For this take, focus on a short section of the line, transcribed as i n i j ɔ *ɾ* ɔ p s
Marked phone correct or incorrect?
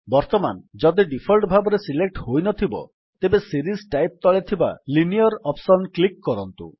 correct